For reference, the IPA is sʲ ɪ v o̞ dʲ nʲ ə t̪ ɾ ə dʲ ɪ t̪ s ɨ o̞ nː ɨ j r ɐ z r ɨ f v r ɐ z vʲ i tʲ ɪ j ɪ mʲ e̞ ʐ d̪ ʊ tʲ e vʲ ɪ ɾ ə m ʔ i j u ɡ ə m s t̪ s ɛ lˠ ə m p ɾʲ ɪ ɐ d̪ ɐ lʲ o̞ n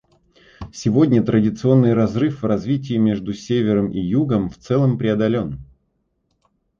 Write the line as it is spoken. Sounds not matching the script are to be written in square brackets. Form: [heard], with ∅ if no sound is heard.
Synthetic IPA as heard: sʲ ɪ v o̞ dʲ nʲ ə t̪ ɾ ə dʲ ɪ t̪ s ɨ o̞ nː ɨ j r ɐ z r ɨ f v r ɐ z vʲ i tʲ ɪ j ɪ mʲ e̞ ʐ d̪ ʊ [sʲ] e vʲ ɪ ɾ ə m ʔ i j u ɡ ə m [f] t̪ s ɛ lˠ ə m p ɾʲ ɪ ɐ d̪ ɐ lʲ o̞ n